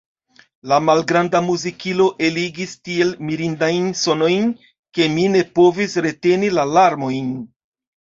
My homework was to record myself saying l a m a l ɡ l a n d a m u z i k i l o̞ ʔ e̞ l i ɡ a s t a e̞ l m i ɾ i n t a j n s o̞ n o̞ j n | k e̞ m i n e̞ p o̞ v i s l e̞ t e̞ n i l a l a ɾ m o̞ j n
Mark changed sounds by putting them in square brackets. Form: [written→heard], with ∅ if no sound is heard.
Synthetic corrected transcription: l a m a l ɡ [l→ɾ] a n d a m u z i k i l o̞ ʔ e̞ l i ɡ [a→i] s t [a→i] e̞ l m i ɾ i n [t→d] a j n s o̞ n o̞ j n | k e̞ m i n e̞ p o̞ v i s [l→ɾ] e̞ t e̞ n i l a l a ɾ m o̞ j n